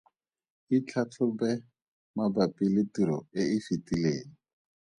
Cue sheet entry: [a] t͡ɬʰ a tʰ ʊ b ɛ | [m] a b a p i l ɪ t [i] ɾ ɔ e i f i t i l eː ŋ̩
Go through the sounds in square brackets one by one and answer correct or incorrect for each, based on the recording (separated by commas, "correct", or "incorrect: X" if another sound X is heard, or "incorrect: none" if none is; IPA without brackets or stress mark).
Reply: incorrect: i, correct, correct